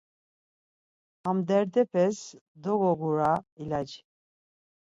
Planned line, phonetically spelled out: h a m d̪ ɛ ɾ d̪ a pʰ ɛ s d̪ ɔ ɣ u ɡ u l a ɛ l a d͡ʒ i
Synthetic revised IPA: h a m d̪ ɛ ɾ d̪ ɛ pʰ ɛ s d̪ ɔ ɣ ɔ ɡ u ɾ a i l a d͡ʒ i